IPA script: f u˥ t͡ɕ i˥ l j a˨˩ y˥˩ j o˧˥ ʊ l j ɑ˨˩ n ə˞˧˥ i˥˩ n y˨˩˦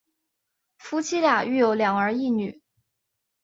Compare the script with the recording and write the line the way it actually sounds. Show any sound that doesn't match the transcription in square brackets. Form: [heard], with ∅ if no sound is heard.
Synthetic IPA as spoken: f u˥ [t͡ɕʰ] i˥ l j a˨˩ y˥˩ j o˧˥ ʊ l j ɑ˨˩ [ŋ] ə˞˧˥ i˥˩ n y˨˩˦